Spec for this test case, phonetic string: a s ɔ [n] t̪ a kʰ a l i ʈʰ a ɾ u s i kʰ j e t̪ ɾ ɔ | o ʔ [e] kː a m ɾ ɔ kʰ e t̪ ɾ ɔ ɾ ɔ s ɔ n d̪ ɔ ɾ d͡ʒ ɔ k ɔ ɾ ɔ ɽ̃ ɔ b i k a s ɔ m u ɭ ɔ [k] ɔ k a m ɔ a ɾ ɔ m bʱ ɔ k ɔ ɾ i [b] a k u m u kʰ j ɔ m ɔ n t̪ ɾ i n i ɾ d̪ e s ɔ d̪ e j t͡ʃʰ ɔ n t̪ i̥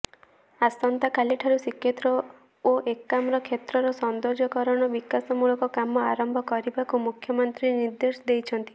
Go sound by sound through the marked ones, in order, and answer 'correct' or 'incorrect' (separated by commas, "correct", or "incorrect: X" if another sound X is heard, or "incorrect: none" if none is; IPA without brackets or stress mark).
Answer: correct, correct, correct, correct